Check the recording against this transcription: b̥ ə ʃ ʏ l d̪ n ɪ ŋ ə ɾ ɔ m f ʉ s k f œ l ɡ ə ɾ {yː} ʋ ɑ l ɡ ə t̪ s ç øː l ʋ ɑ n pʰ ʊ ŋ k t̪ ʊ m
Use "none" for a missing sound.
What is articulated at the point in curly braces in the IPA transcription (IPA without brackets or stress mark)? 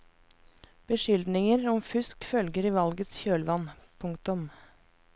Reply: iː